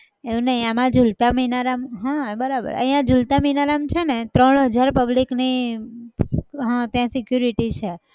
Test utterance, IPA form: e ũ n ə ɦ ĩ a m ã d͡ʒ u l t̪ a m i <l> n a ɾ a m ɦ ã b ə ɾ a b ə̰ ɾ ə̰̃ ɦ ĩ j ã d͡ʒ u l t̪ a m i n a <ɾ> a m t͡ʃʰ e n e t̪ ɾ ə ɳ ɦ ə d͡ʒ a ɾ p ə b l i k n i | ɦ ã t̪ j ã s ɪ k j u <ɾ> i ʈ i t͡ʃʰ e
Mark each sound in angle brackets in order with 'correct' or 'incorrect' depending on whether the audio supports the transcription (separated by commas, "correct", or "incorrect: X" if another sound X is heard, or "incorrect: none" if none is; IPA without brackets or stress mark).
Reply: incorrect: none, correct, correct